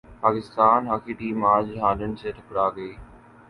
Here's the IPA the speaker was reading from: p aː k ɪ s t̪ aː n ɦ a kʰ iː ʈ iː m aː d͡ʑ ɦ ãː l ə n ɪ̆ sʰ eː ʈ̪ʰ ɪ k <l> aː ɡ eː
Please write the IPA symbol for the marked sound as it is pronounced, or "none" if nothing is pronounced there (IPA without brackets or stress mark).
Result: ɽ